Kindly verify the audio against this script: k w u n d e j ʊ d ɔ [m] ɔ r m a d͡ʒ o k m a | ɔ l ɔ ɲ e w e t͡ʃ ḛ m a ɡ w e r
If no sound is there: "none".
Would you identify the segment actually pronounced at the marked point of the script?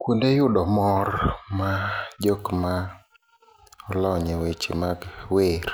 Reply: m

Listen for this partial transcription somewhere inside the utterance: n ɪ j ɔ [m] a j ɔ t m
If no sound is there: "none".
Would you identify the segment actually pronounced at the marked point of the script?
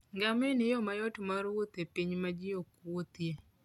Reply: m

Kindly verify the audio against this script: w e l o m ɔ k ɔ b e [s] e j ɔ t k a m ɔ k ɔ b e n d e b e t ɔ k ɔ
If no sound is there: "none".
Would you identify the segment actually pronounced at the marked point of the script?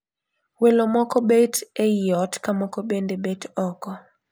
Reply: t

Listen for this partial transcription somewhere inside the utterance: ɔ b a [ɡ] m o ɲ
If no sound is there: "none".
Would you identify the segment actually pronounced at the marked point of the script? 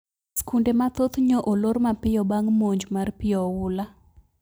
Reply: ŋ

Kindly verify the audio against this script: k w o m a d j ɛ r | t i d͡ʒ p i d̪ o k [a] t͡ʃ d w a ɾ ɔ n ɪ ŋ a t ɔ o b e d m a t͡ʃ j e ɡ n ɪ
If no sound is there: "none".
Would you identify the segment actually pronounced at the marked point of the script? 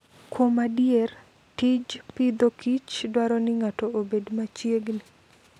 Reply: i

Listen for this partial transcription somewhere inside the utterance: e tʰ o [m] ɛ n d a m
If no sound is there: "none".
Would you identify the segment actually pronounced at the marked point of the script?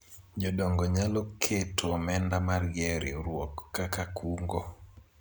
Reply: m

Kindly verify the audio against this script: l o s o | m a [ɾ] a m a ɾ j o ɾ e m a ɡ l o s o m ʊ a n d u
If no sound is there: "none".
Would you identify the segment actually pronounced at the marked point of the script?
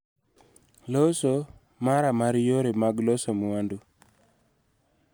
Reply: ɾ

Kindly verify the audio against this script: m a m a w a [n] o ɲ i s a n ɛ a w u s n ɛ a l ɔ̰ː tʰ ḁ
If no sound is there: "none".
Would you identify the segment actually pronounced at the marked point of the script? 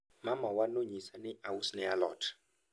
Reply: n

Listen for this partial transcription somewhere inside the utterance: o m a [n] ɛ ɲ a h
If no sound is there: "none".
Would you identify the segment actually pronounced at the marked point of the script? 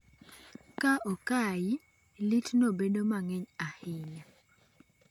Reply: ŋ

